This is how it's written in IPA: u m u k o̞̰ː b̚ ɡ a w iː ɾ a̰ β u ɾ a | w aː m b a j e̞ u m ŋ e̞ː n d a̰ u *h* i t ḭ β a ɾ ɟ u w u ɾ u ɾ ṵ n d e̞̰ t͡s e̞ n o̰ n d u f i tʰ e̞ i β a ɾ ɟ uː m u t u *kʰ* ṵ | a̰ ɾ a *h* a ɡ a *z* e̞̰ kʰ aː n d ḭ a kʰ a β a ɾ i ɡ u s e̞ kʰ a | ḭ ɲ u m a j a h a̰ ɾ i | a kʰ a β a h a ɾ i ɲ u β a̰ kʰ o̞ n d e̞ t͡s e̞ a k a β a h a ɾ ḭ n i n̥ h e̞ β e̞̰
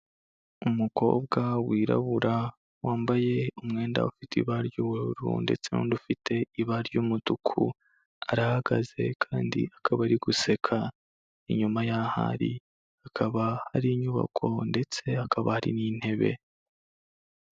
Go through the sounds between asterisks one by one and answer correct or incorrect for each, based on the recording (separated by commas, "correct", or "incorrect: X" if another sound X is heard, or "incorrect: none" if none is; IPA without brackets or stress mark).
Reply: incorrect: f, correct, correct, correct